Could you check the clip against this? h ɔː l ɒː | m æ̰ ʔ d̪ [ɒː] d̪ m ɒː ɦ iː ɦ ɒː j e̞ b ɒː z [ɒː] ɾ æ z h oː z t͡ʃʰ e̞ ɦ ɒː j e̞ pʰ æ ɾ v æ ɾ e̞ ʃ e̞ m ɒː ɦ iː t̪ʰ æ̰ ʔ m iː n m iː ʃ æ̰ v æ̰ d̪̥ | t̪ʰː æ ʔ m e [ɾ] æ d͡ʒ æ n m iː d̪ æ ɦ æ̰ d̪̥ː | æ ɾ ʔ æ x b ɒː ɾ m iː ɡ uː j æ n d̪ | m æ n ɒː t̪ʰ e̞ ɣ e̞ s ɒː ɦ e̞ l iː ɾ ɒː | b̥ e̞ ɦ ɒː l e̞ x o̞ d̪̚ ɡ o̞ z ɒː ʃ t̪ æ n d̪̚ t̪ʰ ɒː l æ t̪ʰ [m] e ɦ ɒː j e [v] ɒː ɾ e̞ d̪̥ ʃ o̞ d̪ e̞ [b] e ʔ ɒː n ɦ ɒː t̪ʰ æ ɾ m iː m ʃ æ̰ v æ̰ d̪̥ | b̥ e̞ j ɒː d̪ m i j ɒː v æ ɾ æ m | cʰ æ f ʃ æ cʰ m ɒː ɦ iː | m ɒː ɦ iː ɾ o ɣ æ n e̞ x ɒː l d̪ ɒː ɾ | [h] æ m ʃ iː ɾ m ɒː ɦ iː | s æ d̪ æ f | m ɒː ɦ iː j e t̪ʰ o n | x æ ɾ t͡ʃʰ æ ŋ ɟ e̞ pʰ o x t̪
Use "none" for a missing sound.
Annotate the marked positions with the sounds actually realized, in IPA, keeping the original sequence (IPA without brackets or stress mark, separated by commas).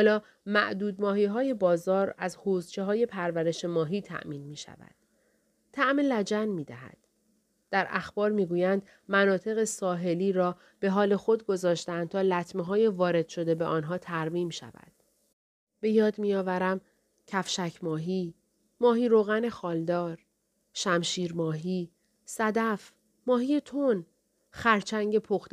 uː, ɒː, l, m, v, b, ʃ